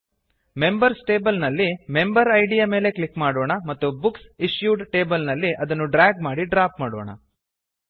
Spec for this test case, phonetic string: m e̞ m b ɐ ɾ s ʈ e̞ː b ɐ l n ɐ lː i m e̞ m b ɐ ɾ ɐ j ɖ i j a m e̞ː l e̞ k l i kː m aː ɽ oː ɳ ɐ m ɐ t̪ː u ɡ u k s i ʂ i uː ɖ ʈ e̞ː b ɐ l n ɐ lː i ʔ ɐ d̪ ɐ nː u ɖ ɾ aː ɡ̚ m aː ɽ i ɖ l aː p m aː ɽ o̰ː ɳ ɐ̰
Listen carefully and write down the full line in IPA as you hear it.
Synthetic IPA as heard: m e̞ m b ɐ ɾ s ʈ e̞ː b ɐ l n ɐ lː i m e̞ m b ɐ ɾ ɐ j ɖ i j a m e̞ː l e̞ k l i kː m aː ɽ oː ɳ ɐ m ɐ t̪ː u b u k s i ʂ j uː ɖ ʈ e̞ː b ɐ l n ɐ lː i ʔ ɐ d̪ ɐ nː u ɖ ɾ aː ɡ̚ m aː ɽ i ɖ ɾ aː p m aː ɽ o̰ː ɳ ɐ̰